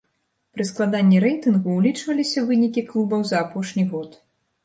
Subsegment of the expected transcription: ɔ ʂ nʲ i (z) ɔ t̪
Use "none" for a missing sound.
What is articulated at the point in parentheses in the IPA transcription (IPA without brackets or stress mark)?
ɣ